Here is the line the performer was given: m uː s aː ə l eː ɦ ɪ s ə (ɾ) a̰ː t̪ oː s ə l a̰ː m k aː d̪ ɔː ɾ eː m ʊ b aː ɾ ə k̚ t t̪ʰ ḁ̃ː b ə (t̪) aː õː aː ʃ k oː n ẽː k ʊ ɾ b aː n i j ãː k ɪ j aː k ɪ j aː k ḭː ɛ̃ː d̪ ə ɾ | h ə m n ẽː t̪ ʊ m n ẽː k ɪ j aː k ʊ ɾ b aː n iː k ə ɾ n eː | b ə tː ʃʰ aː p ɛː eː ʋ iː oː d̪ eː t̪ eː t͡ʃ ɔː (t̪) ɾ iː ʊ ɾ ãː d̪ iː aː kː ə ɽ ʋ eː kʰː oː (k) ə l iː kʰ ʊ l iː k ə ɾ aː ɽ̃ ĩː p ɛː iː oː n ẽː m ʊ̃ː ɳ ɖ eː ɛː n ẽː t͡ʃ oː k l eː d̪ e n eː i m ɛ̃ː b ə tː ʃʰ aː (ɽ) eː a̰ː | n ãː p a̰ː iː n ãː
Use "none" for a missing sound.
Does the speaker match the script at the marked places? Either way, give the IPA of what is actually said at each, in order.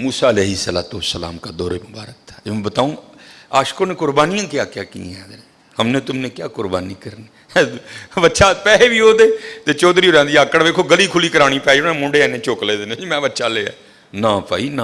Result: l, t̪, d̪, ɡ, l

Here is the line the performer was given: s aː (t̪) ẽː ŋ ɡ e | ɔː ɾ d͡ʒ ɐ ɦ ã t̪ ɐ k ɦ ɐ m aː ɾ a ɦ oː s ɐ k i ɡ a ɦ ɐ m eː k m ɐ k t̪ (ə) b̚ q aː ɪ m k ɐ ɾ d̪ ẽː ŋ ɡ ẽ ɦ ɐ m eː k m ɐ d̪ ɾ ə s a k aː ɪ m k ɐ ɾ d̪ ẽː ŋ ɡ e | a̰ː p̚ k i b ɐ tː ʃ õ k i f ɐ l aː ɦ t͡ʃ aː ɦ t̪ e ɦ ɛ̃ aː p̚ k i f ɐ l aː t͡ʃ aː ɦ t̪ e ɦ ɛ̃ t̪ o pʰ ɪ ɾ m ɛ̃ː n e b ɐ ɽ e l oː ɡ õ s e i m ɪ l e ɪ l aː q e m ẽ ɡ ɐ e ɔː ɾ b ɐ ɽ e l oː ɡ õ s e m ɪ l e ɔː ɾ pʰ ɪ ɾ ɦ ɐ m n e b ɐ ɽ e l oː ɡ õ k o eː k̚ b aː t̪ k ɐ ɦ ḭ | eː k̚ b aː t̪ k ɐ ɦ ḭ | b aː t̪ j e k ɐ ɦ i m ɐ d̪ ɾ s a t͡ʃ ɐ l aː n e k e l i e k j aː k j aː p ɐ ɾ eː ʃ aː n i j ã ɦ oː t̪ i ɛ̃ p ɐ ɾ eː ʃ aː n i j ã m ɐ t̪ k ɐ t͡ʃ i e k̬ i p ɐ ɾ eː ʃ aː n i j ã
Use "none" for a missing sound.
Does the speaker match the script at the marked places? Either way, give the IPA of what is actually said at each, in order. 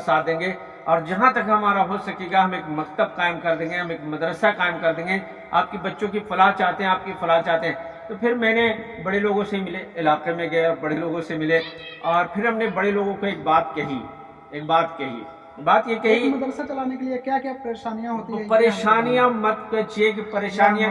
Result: d̪, ə

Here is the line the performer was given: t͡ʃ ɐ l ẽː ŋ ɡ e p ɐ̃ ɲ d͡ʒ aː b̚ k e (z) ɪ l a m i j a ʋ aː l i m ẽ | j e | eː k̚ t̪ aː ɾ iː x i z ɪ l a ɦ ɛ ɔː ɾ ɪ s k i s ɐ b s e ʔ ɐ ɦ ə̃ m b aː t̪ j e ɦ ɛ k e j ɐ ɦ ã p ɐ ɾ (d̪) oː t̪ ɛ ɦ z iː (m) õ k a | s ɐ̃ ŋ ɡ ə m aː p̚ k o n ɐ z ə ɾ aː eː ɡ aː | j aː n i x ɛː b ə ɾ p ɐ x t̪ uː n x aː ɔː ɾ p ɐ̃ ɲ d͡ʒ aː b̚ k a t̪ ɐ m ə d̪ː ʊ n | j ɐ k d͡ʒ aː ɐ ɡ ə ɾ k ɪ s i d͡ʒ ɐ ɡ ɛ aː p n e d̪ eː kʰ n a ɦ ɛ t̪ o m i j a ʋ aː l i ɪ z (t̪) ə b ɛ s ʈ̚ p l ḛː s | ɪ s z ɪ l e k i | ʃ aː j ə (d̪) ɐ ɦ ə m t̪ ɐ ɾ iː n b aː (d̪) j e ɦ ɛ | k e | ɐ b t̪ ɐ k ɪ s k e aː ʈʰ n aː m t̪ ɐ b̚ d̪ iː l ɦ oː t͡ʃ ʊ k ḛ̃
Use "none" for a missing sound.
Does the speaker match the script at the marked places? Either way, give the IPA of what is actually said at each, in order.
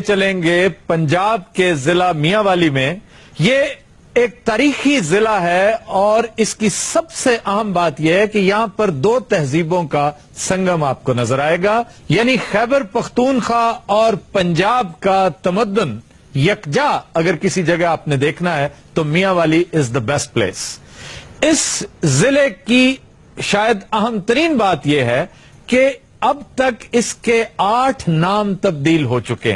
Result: z, d̪, b, d̪, d̪, t̪

